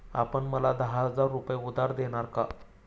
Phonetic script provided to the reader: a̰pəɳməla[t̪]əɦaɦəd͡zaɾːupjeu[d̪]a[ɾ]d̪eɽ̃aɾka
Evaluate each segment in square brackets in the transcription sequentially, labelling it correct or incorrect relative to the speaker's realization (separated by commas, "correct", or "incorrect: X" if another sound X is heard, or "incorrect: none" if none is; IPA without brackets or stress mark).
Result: incorrect: d̪, correct, correct